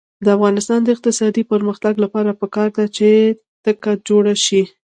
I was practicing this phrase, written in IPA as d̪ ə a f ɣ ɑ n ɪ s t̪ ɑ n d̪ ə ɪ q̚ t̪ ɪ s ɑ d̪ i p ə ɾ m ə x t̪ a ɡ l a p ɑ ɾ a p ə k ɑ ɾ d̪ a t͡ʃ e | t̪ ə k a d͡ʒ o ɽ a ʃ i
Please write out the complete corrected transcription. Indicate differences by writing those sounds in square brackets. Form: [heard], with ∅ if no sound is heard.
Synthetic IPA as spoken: d̪ ə a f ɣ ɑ n ɪ s t̪ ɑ n d̪ ə ɪ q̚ t̪ ɪ s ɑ d̪ i p ə ɾ m ə x t̪ a ɡ l a p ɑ ɾ a p ə k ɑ ɾ d̪ a t͡ʃ e | t̪ ə k a d͡ʒ o ɽ a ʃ i